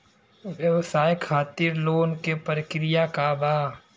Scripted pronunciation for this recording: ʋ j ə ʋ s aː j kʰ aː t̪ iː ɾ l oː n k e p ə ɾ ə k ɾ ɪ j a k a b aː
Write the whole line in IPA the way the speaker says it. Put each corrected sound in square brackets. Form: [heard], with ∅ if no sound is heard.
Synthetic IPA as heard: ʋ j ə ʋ s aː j kʰ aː t̪ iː ɾ l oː n k e p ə ɾ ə k ɾ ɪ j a k a b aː